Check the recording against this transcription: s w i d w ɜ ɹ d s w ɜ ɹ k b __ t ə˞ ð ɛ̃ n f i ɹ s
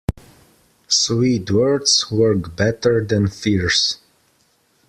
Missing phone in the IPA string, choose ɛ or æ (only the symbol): ɛ